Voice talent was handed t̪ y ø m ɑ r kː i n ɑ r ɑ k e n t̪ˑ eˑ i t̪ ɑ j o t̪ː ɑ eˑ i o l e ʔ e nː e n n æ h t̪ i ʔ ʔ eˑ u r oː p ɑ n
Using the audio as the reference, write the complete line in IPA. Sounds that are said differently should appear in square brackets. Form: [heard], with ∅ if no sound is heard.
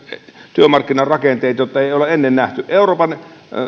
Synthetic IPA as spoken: t̪ y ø m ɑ r kː i n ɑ r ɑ k e n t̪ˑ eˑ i t̪ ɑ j o t̪ː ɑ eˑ i o l e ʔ e nː e n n æ h t̪ [y] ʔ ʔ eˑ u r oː p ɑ n

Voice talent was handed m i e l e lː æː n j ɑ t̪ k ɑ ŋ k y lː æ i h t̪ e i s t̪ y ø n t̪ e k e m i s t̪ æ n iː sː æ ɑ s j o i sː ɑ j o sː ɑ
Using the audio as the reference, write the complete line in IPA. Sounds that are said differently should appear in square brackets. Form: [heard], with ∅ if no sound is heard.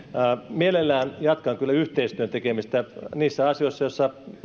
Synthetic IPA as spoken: m i e l e lː æː n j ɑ t̪ k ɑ ŋ k y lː æ [y] h t̪ e i s t̪ y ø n t̪ e k e m i s t̪ æ n iː sː æ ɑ s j o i sː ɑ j o sː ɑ

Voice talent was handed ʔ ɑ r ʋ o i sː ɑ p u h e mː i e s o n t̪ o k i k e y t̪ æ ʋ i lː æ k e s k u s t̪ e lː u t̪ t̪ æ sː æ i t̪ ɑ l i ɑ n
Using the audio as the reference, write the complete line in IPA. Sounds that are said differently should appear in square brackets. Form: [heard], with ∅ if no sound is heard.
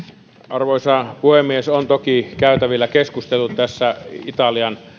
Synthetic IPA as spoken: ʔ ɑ r ʋ o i [s] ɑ p u h e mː i e s o n t̪ o k i k [æ] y t̪ æ ʋ i lː æ k e s k u s t̪ e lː u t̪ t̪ æ sː æ i t̪ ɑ l i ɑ n

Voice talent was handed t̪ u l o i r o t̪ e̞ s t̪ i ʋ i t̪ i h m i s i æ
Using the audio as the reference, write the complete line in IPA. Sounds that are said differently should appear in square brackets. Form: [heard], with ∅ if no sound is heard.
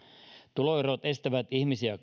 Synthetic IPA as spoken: t̪ u l o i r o t̪ e̞ s t̪ [æ] ʋ [æ] t̪ i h m i s i æ

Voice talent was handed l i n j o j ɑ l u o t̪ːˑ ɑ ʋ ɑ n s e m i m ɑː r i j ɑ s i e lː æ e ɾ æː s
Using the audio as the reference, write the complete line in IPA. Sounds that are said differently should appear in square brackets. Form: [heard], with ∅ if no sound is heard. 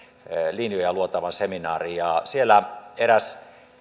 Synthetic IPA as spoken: l i n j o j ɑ l u o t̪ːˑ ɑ ʋ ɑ n s e m i [n] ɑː r i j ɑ s i e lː æ e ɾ [æ] s

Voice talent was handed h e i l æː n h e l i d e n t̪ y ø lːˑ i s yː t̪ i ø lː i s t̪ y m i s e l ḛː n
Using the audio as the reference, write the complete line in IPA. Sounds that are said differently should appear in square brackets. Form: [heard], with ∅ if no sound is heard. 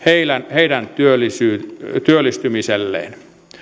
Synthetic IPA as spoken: h e i l [æ] n h e [∅] i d [æ] n t̪ y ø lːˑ i s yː t̪ [y] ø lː i s t̪ y m i s e [lː] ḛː n

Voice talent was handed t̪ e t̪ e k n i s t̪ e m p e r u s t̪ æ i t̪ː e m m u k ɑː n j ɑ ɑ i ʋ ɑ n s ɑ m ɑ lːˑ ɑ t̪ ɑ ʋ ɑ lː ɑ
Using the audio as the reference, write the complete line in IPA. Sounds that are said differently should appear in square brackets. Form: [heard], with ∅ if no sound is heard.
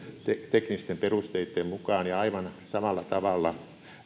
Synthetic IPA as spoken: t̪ e t̪ e k n i s t̪ e m p e r u s t̪ [e] i t̪ː e m m u k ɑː n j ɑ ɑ i ʋ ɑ n s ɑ m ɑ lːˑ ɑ t̪ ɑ ʋ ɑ lː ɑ

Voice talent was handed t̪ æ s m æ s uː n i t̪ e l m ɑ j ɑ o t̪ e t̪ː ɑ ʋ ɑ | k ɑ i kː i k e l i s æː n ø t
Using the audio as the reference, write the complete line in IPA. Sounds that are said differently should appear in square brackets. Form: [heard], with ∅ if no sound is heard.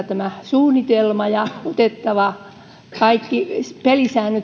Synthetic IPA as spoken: t̪ æ [∅] m æ s uː n i t̪ e l m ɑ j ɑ o t̪ e t̪ː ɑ ʋ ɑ | k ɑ i kː i [p] e l i s æː n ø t

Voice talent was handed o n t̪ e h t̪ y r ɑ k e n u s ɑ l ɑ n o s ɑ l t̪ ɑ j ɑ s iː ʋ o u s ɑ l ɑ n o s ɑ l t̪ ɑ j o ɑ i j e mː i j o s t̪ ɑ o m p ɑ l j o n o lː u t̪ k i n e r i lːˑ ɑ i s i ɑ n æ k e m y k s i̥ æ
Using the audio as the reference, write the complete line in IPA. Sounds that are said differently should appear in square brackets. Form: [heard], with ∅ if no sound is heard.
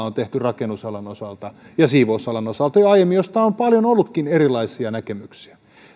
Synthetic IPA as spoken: o n t̪ e h t̪ y r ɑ k e n u s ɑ l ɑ n o s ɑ l t̪ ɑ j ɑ s iː ʋ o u s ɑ l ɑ n o s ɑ l t̪ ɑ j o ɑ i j e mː i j o s t̪ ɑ o m p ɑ l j o n o lː u t̪ k i n e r i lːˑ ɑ i s i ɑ n æ k e m y k s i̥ æ

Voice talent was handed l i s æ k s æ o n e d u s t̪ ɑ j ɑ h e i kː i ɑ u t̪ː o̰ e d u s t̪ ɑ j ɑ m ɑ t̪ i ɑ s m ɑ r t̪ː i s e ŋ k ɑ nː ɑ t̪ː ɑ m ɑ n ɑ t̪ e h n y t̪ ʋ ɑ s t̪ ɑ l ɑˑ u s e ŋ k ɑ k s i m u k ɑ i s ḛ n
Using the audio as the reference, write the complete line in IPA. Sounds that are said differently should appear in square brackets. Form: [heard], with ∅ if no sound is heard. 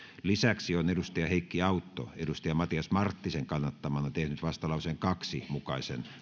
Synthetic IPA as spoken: l i s æ k s [i] o n e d u s t̪ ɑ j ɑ h e i kː i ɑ u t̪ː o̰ e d u s t̪ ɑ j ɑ m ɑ t̪ i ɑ s m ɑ r t̪ː i s e ŋ k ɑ nː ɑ t̪ː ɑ m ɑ n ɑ t̪ e h n y t̪ ʋ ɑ s t̪ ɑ l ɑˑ u s e ŋ k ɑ k s i m u k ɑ i s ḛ n

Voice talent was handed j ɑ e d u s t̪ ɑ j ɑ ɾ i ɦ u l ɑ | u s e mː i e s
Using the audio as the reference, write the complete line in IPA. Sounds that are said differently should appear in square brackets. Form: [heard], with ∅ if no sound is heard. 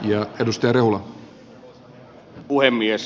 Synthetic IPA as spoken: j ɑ e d u s t̪ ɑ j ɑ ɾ [e] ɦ u l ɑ | u [h] e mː i e s

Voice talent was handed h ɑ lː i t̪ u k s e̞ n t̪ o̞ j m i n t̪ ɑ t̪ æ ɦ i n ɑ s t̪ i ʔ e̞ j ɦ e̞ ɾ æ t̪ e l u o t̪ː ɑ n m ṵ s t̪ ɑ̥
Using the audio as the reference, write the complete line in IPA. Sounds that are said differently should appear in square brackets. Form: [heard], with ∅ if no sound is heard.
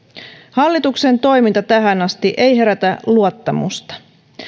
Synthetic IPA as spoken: h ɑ lː i t̪ u k s e̞ n t̪ o̞ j m i n t̪ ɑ t̪ æ ɦ [æ] n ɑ s t̪ i ʔ e̞ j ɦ e̞ ɾ æ t̪ [æ] l u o t̪ː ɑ [∅] m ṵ s t̪ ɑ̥

